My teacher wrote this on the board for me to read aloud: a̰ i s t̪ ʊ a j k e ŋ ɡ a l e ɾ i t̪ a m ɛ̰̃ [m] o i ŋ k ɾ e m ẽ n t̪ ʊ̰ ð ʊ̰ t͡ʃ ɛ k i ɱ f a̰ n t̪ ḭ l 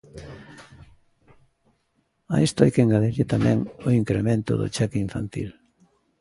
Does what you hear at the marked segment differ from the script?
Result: yes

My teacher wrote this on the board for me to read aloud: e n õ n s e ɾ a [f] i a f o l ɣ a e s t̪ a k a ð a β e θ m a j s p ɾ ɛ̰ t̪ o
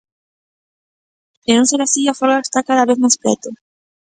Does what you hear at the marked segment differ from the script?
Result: yes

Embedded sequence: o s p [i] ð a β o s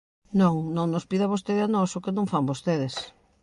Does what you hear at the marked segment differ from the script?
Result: no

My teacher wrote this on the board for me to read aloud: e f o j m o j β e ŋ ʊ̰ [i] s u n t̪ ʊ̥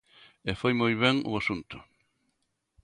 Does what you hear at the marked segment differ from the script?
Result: yes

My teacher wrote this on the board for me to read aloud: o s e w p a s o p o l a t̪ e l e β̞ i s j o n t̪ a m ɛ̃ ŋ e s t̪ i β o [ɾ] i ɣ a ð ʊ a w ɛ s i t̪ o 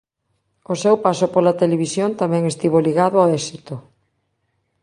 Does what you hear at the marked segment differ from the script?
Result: yes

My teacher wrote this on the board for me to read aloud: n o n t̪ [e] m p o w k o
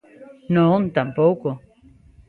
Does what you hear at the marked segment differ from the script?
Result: yes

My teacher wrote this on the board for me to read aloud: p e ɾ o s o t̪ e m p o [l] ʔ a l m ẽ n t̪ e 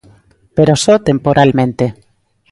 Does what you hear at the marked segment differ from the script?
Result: yes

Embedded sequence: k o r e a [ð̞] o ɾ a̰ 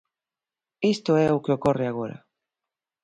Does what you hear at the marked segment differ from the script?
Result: yes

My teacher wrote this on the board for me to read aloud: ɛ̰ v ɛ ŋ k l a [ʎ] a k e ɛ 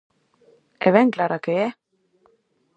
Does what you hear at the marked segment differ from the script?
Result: yes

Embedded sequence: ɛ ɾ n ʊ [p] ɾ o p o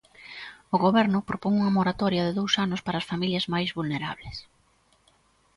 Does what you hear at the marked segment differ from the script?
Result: no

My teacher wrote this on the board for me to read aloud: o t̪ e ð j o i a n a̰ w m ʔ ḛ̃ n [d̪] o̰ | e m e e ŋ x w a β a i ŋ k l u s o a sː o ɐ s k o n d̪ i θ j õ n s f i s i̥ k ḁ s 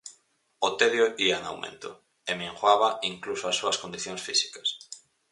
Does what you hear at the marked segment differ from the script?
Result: yes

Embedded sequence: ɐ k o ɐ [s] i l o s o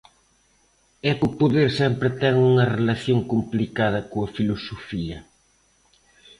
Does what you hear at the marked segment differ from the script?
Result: yes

